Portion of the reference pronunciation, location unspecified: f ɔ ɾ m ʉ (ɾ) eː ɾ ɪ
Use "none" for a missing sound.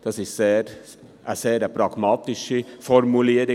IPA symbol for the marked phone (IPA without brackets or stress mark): l